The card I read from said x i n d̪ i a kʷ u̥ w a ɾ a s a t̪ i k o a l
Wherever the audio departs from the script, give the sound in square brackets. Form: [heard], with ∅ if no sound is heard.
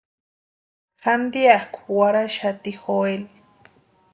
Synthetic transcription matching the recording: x [a] n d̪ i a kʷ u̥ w a ɾ a [ʃ] a t̪ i [x] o [e] l